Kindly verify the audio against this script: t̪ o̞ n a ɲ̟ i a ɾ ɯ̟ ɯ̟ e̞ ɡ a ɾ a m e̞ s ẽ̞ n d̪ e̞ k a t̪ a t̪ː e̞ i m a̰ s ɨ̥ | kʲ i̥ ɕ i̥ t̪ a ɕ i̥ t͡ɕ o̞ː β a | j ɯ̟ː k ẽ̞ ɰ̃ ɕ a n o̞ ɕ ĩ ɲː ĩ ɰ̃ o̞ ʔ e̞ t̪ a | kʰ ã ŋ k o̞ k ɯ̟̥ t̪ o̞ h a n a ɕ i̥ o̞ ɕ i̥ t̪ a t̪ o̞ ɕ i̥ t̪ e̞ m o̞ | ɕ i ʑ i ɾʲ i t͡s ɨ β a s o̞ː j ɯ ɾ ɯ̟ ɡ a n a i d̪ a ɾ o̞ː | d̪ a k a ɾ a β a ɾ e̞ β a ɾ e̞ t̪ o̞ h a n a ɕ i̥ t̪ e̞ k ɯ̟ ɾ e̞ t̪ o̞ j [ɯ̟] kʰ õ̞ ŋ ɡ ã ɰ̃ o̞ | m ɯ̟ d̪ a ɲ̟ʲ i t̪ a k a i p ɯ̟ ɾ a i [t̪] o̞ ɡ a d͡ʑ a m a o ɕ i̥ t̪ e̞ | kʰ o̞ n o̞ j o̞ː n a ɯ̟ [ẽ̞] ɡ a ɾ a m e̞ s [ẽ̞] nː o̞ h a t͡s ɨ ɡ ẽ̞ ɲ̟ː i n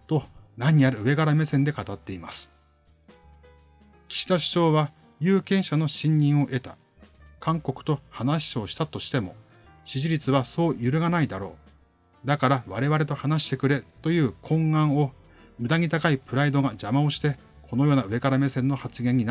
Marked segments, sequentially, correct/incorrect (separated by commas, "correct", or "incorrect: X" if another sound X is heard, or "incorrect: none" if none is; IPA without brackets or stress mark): incorrect: ɯ̟ː, incorrect: d̪, incorrect: e̞, correct